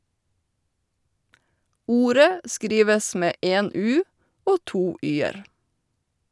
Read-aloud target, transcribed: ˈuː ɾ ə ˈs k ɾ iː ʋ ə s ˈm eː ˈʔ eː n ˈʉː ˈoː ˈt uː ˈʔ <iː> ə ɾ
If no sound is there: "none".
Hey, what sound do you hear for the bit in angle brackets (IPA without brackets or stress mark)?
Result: yː